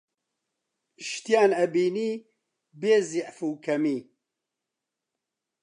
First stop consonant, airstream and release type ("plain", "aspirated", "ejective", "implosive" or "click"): plain